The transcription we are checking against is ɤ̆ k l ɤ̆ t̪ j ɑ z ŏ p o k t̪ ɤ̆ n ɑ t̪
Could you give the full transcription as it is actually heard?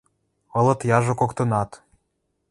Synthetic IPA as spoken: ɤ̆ l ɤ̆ t̪ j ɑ ʒ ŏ k o k t̪ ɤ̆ n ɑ t̪